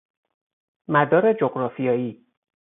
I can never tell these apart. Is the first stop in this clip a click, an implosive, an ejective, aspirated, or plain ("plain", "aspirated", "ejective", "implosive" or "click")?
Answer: plain